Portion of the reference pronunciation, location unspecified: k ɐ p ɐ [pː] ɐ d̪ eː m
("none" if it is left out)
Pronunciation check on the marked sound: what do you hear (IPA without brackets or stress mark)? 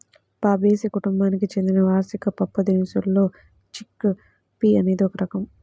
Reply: pː